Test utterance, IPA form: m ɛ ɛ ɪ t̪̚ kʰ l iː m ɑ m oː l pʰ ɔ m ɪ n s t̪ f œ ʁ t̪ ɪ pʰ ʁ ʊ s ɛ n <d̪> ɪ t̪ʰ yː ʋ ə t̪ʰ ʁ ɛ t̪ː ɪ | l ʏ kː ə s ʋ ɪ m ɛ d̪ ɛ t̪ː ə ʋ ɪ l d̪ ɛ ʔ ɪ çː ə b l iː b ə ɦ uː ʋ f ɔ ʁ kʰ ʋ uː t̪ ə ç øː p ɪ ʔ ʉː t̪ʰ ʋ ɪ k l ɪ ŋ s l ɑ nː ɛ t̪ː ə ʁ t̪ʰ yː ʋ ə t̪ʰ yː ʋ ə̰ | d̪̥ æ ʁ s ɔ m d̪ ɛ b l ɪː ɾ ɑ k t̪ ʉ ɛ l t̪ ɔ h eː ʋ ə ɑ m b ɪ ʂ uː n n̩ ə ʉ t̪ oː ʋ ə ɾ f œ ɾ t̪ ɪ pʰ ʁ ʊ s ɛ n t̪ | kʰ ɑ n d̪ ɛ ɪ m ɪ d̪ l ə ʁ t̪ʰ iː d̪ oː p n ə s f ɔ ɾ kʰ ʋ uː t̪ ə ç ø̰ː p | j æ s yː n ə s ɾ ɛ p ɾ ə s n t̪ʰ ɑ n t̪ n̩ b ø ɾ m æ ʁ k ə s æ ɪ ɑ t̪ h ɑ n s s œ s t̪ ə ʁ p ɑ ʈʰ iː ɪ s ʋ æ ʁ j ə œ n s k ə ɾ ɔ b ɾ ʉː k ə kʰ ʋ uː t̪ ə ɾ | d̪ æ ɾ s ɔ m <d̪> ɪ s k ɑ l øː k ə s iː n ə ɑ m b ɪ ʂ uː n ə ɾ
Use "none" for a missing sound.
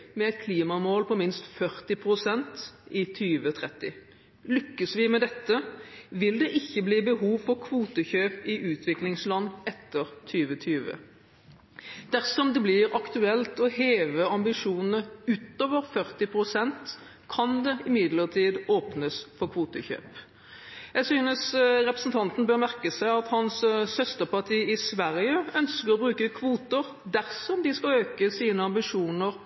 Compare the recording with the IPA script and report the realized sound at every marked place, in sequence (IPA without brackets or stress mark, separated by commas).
t̪, d̪